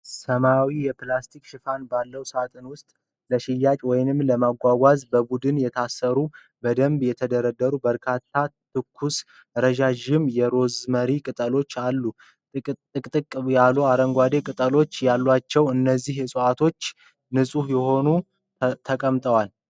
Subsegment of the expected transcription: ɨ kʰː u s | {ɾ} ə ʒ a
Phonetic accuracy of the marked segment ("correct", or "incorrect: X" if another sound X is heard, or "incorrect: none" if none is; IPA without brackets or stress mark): correct